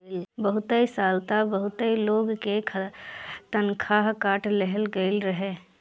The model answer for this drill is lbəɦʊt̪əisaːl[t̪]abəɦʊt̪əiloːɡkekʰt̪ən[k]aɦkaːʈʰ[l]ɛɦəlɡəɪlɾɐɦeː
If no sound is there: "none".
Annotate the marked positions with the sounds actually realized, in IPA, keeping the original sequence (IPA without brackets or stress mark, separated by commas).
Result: t̪, kʰ, l